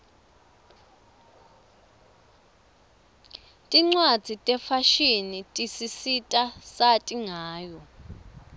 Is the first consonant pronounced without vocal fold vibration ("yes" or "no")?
yes